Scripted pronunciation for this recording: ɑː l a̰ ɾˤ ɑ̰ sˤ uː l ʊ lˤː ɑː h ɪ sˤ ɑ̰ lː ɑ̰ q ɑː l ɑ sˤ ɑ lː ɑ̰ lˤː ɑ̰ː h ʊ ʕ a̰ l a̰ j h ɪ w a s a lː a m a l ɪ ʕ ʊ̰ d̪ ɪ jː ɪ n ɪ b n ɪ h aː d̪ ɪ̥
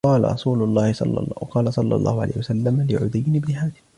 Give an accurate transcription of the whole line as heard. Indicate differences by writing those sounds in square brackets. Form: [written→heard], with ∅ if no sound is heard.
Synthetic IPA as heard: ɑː l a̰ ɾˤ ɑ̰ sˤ uː l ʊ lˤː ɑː h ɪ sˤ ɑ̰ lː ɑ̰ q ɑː l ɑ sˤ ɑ lː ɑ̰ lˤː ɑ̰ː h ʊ ʕ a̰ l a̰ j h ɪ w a s a lː a m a l ɪ ʕ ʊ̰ d̪ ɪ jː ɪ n ɪ b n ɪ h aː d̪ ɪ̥